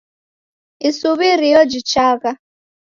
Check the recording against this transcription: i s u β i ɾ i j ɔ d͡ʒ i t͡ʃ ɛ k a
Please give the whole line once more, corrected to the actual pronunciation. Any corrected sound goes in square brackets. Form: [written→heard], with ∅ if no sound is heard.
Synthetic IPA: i s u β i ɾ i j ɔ d͡ʒ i t͡ʃ [ɛ→a] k a